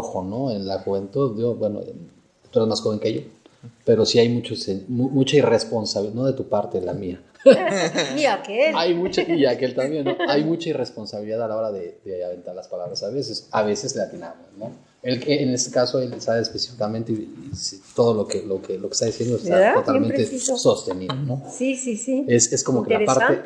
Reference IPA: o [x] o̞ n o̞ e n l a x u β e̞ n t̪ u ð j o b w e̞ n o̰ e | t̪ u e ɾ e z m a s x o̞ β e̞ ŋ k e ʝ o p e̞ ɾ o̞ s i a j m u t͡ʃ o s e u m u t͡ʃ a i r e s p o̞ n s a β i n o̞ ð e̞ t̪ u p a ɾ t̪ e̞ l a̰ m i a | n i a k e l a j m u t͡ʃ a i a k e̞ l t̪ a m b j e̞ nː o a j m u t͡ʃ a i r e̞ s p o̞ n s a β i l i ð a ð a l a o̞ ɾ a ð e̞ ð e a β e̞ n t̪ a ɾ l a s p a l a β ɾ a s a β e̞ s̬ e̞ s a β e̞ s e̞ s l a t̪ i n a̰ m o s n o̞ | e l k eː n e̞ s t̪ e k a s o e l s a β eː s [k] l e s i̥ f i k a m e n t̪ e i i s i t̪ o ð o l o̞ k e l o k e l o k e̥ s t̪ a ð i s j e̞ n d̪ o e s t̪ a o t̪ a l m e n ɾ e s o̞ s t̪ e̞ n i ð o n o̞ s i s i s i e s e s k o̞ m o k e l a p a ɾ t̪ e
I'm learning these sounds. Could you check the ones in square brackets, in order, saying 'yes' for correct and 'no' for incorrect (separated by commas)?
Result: yes, no